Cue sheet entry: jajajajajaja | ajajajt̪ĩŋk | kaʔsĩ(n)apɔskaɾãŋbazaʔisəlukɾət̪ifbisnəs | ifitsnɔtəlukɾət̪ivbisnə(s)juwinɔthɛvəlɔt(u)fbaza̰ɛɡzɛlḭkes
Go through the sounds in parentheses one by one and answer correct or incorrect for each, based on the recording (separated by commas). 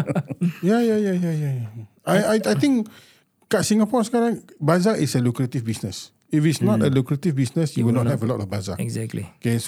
incorrect, correct, incorrect